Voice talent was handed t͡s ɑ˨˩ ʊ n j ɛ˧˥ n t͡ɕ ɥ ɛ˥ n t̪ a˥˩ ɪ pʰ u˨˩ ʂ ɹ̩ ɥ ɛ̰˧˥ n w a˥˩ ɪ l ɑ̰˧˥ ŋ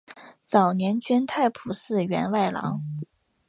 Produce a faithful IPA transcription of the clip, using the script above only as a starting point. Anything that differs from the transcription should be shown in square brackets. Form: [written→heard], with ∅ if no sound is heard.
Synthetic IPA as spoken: t͡s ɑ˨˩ ʊ n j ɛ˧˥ n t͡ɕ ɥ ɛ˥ n [t̪→t̪ʰ] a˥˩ ɪ pʰ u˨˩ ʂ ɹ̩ ɥ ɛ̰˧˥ n w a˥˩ ɪ l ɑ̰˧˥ ŋ